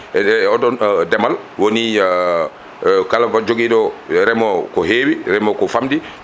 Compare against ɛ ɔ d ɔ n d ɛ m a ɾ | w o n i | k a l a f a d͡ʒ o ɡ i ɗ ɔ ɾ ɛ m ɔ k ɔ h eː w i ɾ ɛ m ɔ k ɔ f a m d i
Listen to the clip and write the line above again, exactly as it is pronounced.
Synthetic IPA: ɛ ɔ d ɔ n d ɛ m a l | w o n i | k a l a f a d͡ʒ o ɡ i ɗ ɔ ɾ ɛ m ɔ k ɔ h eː w i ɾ ɛ m ɔ k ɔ f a m d i